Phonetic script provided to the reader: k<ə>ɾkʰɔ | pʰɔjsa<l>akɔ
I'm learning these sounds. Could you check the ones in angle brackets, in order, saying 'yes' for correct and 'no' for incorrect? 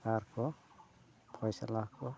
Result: no, yes

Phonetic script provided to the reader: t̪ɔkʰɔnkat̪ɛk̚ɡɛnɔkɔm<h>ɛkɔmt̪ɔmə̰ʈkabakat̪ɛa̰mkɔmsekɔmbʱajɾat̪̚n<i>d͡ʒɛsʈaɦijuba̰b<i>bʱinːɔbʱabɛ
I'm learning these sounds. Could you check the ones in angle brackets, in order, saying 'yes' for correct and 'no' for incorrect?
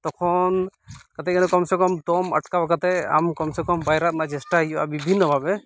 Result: no, no, yes

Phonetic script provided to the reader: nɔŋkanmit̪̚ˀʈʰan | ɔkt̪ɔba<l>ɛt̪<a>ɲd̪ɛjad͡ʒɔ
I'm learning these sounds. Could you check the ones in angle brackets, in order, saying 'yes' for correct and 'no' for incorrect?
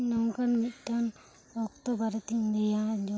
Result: no, no

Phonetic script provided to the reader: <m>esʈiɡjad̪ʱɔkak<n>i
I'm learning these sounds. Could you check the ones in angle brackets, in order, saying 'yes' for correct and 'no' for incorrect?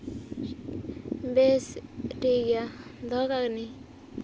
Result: no, yes

